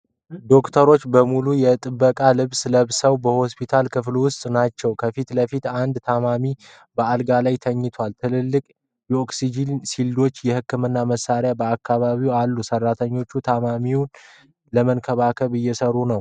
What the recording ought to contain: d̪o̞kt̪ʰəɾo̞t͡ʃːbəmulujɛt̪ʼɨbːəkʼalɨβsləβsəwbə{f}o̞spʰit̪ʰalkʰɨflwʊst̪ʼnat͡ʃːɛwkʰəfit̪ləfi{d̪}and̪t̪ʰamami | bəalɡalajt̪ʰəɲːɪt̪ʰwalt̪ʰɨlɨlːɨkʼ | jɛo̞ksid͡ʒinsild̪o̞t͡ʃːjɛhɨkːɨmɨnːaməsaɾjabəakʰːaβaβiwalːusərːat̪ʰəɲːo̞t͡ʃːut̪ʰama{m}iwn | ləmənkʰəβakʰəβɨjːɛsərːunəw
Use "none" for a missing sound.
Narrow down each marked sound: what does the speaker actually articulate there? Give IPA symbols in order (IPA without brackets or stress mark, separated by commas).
h, t̪, m